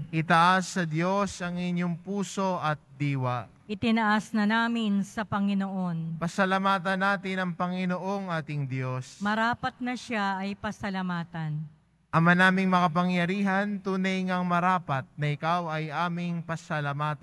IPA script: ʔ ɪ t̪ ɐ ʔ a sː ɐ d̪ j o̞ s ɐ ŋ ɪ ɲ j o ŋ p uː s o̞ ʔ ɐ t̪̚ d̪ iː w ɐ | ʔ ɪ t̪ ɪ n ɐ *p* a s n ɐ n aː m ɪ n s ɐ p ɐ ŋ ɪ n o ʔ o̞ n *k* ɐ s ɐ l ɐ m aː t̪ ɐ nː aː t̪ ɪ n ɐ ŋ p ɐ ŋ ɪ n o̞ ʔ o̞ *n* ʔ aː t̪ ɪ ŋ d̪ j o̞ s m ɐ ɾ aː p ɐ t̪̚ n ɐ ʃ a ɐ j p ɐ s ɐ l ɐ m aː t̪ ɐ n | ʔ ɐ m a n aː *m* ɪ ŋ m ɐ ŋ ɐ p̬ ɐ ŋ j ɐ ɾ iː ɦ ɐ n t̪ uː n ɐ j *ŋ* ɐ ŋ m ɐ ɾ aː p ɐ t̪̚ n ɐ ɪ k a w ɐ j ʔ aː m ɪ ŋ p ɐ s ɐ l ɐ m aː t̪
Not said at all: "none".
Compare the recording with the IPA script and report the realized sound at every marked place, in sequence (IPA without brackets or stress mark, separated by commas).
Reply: ʔ, p, ŋ, m, ŋ